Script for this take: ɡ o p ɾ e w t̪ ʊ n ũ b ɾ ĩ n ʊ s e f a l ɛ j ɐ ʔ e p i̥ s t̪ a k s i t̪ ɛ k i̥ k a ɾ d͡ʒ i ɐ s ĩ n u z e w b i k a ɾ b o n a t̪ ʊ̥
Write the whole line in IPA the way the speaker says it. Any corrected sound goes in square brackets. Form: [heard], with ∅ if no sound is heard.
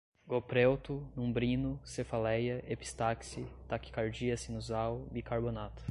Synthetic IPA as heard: ɡ o p ɾ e w t̪ ʊ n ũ b ɾ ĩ n ʊ s e f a l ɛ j ɐ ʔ e p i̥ s t̪ a k s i t̪ [a] k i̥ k a ɾ d͡ʒ i ɐ s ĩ n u z [a] w b i k a ɾ b o n a t̪ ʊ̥

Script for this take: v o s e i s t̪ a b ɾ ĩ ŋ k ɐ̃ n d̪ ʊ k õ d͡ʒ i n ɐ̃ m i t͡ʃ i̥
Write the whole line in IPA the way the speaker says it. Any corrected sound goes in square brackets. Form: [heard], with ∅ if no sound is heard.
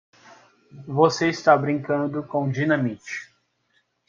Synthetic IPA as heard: v o s e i s t̪ a b ɾ ĩ ŋ k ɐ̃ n d̪ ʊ k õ d͡ʒ i n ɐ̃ m i t͡ʃ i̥

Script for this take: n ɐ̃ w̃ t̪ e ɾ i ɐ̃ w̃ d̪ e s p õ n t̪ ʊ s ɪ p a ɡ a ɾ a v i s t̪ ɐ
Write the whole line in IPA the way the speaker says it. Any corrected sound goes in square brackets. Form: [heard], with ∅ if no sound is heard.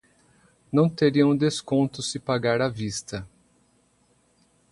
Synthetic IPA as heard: n ɐ̃ w̃ t̪ e ɾ i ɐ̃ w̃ d̪ e s [k] õ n t̪ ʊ s ɪ p a ɡ a ɾ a v i s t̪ ɐ

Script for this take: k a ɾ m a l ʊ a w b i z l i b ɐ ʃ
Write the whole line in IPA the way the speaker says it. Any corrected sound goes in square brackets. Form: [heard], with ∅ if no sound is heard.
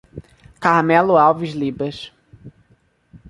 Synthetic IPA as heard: k a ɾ m [ɛ] l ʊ a w [v] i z l i b ɐ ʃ

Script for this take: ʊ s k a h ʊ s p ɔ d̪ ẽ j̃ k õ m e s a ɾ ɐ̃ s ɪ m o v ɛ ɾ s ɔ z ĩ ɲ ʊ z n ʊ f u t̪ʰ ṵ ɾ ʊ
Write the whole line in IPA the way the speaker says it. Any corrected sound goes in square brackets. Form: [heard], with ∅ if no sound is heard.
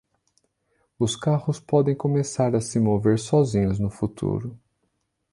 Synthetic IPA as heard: ʊ s k a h ʊ s p ɔ d̪ ẽ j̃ k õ m e s a ɾ [ɐ] s ɪ m o v [e] ɾ s ɔ z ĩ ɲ ʊ z n ʊ f u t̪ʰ ṵ ɾ ʊ

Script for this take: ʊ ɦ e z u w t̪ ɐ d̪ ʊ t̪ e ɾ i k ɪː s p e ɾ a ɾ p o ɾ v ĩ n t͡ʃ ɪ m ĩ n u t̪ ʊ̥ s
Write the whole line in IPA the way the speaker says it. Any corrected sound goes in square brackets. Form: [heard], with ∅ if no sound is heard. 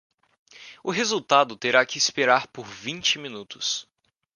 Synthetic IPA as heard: ʊ ɦ e z u w t̪ [a] d̪ ʊ t̪ e ɾ [a] k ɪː s p e ɾ a ɾ p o ɾ v ĩ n t͡ʃ ɪ m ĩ n u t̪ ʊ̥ s

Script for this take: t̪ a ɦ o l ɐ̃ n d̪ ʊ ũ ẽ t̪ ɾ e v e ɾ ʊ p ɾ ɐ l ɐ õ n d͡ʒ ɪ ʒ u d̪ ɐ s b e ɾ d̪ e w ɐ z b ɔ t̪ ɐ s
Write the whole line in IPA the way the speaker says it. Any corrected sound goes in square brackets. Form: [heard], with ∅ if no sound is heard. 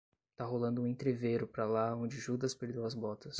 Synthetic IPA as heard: t̪ a ɦ o l ɐ̃ n d̪ ʊ ũ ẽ t̪ ɾ e v e ɾ ʊ p ɾ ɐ l [a] õ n d͡ʒ ɪ ʒ u d̪ ɐ s [p] e ɾ d̪ e w ɐ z b ɔ t̪ ɐ s

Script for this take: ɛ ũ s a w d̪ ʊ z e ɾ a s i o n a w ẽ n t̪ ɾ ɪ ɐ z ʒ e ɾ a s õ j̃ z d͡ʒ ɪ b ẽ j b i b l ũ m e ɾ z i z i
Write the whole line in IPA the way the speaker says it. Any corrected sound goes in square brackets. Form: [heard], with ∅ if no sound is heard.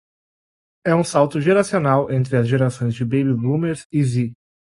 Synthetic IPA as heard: ɛ ũ s a w [t̪] ʊ [ʒ] e ɾ a s i o n a w ẽ n t̪ ɾ ɪ ɐ z ʒ e ɾ a s õ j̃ z d͡ʒ ɪ b [e] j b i b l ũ m e ɾ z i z i

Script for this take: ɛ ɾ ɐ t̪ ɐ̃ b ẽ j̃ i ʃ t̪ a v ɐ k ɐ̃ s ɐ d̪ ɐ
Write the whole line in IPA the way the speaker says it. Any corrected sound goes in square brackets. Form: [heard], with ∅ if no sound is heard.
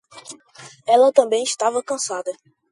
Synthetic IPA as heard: ɛ [l] ɐ t̪ ɐ̃ b ẽ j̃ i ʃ t̪ a v ɐ k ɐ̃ s [a] d̪ ɐ

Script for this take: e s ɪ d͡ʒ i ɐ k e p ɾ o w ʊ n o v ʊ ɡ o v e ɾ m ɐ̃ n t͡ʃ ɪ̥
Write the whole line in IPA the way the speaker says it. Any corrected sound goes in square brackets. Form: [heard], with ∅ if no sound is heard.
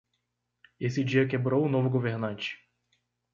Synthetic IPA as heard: e s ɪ d͡ʒ i ɐ k e [b] ɾ o w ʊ n o v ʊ ɡ o v e ɾ [n] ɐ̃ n t͡ʃ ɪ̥

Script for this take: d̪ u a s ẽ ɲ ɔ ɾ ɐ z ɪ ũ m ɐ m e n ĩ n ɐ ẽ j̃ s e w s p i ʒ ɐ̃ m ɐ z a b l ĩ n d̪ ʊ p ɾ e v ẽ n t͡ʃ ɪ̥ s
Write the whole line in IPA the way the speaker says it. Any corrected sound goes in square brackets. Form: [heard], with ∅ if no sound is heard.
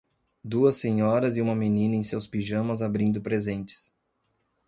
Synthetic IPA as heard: d̪ u [ɐ] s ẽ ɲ ɔ ɾ ɐ z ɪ ũ m ɐ m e n ĩ n ɐ ẽ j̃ s e w s p i ʒ ɐ̃ m ɐ z a b [ɾ] ĩ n d̪ ʊ p ɾ e [z] ẽ n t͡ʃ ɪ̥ s

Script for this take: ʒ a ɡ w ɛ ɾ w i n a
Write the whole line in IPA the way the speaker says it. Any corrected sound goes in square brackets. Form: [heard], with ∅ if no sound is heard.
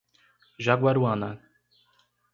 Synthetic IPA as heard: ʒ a ɡ w [a] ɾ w [a] n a

